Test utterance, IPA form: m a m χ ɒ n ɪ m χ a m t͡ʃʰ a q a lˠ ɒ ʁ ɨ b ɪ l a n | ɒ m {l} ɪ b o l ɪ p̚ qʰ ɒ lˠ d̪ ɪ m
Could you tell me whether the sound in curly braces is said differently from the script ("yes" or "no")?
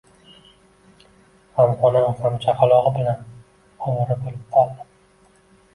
yes